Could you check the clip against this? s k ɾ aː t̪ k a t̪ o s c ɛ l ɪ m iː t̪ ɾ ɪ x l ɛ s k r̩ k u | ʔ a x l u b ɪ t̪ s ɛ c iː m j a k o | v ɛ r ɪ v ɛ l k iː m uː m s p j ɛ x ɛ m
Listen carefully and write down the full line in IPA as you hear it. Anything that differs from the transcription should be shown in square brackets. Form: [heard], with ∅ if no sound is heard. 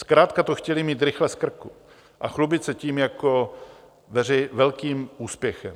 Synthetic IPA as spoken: s k ɾ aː t̪ k a t̪ o [x] c ɛ l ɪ m iː t̪ ɾ ɪ x l ɛ s k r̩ k u | ʔ a x l u b ɪ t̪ s ɛ c iː m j a k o | v ɛ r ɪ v ɛ l k iː m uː [∅] s p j ɛ x ɛ m